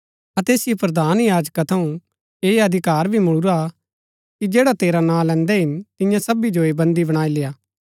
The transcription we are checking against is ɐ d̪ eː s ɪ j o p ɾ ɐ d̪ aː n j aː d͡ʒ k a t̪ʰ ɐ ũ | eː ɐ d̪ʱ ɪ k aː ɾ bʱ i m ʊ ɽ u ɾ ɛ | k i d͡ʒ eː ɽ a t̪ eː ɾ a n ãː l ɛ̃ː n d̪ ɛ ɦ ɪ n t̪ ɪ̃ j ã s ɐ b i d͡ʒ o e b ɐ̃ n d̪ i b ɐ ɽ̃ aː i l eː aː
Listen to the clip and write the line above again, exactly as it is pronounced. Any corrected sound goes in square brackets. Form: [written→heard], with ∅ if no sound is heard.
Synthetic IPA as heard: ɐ [d̪→t̪] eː s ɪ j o p ɾ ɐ d̪ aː n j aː d͡ʒ k a t̪ʰ ɐ ũ | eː ɐ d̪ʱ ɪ k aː ɾ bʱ i m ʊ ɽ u ɾ [ɛ→a] | k i d͡ʒ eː ɽ a t̪ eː ɾ a n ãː l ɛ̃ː n d̪ ɛ ɦ ɪ n t̪ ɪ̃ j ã s ɐ b i d͡ʒ o e b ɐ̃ n d̪ i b ɐ ɽ̃ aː i l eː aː